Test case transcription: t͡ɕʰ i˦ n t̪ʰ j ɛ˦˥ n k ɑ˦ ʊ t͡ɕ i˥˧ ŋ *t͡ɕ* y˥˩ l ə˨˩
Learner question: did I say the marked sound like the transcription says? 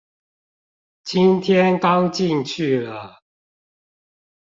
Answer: no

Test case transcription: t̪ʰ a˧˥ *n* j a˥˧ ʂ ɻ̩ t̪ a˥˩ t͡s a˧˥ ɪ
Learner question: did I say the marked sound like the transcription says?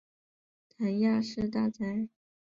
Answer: yes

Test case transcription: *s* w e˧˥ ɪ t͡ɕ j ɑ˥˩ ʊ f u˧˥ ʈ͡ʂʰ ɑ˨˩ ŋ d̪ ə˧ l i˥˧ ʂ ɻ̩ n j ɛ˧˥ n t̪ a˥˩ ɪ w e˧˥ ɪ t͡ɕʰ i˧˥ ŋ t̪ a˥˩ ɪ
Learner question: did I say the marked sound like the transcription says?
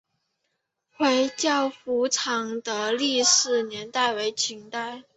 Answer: no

